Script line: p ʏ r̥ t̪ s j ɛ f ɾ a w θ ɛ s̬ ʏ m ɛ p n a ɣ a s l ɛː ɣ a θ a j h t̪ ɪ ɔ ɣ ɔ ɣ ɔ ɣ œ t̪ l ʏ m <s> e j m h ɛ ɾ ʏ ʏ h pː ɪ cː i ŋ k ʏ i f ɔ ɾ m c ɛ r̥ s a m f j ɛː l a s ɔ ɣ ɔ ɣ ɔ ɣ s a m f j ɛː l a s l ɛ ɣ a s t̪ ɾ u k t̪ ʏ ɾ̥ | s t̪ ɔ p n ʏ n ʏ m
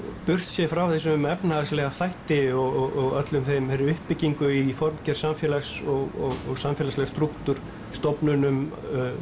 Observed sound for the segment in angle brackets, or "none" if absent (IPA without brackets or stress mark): θ